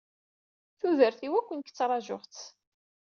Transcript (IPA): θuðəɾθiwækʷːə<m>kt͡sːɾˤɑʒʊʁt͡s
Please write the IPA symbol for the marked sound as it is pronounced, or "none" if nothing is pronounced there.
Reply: n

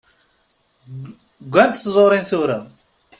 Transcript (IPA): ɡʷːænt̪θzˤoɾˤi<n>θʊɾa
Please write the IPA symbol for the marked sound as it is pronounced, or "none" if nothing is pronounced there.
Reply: n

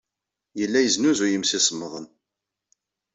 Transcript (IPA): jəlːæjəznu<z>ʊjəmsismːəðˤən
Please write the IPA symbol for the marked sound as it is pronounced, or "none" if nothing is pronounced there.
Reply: z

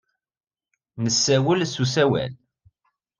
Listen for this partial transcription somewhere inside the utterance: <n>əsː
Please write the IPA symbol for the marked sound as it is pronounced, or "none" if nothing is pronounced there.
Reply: n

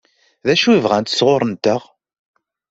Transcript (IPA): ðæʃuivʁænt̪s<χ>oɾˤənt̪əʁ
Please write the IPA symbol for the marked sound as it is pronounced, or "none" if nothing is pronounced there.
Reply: ʁ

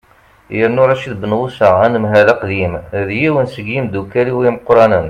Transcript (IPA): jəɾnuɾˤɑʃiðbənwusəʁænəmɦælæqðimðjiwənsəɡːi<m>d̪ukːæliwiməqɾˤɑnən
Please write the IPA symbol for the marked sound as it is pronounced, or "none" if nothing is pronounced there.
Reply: m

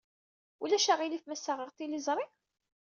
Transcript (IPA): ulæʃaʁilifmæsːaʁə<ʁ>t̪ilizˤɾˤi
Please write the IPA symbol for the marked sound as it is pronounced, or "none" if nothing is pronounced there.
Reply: ʁ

